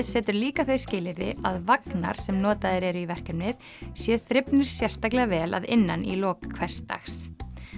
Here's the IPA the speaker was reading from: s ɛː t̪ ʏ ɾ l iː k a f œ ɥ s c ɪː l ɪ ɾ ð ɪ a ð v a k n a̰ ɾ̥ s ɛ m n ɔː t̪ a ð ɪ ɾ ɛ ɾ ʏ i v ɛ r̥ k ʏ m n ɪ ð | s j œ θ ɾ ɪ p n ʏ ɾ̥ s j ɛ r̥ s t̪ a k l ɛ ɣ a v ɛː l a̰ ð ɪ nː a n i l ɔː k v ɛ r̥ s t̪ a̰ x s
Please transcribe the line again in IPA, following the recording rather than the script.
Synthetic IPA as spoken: s ɛː t̪ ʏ ɾ l iː k a θ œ ɥ s c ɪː l ɪ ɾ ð ɪ a ð v a k n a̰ ɾ̥ s ɛ m n ɔː t̪ a ð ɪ ɾ ɛ ɾ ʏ i v ɛ r̥ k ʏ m n ɪ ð | s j ɛ θ ɾ ɪ p n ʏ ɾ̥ s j ɛ r̥ s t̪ a k l ɛ ɣ a v ɛː l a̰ ð ɪ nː a n i l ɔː kʰ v ɛ r̥ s t̪ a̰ x s